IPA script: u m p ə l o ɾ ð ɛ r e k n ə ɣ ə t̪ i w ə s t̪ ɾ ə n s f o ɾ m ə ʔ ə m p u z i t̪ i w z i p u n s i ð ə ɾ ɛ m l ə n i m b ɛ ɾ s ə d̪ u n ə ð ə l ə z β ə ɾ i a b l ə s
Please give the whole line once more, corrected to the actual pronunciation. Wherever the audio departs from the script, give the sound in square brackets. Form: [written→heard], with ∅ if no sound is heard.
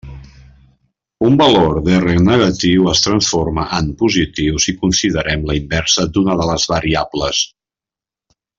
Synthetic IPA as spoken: u m [p→b] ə l o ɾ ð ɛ r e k n ə ɣ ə t̪ i w ə s t̪ ɾ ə n s f o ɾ m ə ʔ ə m p u z i t̪ i w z i [p→k] u n s i ð ə ɾ ɛ m l ə [n→∅] i m b ɛ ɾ s ə d̪ u n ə ð ə l ə z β ə ɾ i a b l ə s